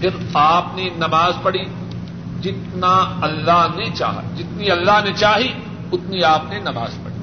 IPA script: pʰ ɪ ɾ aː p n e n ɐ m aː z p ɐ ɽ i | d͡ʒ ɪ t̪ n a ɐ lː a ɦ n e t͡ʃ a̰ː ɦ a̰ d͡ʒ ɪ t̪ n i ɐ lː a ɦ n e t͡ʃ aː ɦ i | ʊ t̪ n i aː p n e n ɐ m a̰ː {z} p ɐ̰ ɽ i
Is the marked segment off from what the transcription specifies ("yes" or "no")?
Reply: no